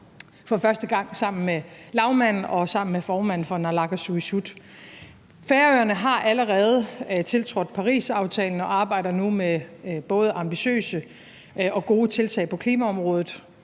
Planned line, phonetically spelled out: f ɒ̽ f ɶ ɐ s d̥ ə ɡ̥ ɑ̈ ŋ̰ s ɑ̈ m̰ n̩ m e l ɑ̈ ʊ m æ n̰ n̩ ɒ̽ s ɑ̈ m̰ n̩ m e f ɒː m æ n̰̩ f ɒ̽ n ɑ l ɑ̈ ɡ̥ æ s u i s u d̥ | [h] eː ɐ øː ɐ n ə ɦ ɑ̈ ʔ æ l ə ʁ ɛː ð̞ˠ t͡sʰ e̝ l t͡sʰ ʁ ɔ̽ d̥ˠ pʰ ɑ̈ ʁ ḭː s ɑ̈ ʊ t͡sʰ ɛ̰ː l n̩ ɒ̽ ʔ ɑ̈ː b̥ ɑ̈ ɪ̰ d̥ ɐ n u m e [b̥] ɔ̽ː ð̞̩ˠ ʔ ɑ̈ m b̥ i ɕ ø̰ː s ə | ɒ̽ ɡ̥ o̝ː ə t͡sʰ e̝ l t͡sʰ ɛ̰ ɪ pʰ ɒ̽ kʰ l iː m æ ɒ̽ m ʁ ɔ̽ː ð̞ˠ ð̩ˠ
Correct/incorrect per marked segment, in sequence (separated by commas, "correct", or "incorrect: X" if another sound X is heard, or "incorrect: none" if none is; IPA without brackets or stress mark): incorrect: f, correct